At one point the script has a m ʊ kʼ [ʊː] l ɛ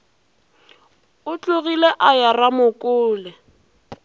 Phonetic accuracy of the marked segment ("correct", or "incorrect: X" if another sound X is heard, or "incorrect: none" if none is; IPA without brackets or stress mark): correct